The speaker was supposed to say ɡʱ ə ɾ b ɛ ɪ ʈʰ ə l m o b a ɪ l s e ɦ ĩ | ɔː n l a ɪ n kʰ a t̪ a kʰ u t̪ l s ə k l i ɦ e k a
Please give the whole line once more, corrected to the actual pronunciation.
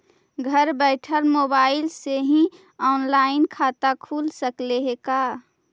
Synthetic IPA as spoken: ɡʱ ə ɾ b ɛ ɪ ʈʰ ə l m o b a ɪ l s e ɦ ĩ | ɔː n l a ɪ n kʰ a t̪ a kʰ u l s ə k l e ɦ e k a